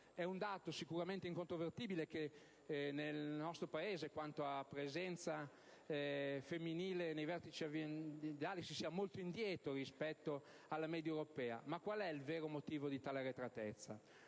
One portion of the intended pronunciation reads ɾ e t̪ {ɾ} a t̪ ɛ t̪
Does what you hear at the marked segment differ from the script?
no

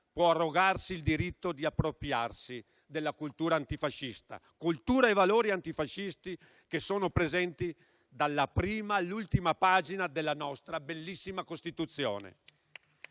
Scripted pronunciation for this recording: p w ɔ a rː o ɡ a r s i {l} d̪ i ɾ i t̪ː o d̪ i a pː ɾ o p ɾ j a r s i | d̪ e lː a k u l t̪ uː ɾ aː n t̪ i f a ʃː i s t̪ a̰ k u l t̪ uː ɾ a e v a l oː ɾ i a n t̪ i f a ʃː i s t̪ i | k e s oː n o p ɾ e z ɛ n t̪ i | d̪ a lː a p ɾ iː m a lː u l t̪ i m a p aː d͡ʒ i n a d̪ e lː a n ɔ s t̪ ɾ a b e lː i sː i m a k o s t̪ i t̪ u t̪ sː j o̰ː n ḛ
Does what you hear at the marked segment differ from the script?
no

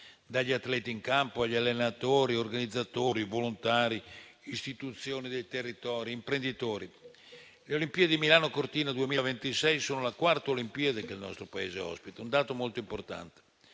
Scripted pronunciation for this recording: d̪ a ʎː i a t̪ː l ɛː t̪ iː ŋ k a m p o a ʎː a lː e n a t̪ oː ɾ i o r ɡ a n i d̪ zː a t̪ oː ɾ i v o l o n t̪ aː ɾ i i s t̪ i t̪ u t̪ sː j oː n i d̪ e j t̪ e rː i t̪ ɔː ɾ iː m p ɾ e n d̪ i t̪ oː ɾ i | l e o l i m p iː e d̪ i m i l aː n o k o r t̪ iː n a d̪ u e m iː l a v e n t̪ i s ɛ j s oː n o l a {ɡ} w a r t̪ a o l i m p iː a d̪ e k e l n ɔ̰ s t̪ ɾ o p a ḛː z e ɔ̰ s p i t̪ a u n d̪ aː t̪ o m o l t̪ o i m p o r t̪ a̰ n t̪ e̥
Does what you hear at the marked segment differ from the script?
yes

